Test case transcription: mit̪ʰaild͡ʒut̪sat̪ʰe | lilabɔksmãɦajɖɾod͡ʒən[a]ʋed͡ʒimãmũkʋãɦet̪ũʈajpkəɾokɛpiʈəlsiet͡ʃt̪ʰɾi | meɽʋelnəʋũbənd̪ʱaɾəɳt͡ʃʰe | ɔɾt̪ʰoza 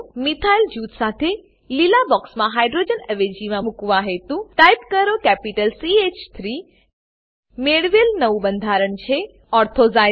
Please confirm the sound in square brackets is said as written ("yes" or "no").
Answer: no